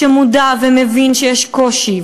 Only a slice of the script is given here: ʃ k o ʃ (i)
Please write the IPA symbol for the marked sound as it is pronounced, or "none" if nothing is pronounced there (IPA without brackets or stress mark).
i